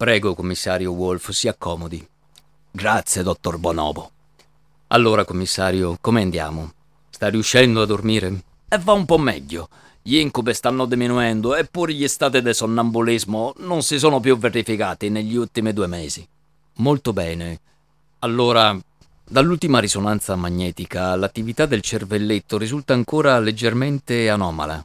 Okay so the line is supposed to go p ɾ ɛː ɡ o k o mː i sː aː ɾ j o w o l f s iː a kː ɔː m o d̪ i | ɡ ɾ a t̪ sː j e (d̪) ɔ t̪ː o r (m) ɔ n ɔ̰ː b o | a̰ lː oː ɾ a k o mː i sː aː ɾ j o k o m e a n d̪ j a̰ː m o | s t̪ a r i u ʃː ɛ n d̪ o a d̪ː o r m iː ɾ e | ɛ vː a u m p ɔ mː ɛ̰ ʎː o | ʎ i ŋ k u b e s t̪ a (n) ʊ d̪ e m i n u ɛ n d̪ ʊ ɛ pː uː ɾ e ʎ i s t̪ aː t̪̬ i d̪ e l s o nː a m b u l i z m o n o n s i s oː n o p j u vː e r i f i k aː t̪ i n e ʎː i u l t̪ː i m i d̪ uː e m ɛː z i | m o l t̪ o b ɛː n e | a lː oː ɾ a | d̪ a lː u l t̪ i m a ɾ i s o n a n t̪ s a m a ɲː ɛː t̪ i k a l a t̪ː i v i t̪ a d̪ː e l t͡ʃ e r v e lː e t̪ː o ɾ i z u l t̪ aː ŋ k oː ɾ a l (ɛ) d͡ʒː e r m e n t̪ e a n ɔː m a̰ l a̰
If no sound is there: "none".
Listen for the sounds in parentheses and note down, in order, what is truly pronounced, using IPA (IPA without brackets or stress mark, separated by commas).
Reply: d̪, b, nː, e